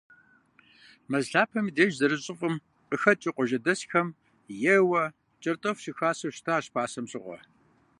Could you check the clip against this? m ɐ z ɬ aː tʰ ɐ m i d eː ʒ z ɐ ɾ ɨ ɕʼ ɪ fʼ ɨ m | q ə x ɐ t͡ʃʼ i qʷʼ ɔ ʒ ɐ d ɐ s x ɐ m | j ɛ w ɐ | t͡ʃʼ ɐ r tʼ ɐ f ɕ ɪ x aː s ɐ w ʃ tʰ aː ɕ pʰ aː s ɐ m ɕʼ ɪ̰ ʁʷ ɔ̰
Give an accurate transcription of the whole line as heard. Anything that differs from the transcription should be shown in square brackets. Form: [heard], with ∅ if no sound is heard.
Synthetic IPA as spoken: m ɐ z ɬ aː [pʰ] ɐ m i d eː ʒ z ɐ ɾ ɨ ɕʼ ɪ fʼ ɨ m | q ə x ɐ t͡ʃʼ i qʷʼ ɔ ʒ ɐ d ɐ s x ɐ m | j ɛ w ɐ | t͡ʃʼ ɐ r tʼ ɐ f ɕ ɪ x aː s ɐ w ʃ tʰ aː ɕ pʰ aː s ɐ m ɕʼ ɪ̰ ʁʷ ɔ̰